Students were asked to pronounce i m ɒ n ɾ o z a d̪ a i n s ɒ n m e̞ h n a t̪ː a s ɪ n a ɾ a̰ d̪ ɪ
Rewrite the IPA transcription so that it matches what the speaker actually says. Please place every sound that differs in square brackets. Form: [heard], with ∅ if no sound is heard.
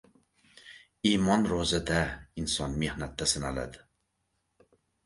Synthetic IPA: i m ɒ n ɾ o z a d̪ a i n s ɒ n m e̞ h n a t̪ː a s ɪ n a [l] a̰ d̪ ɪ